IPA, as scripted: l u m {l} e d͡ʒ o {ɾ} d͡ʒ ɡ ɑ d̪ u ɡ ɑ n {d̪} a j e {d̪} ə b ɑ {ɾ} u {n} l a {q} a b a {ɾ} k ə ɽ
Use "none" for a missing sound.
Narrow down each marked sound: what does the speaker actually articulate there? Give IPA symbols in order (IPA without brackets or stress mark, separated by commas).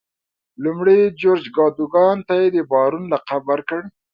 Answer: ɽ, ɾ, t̪, d̪, ɾ, n, q, ɾ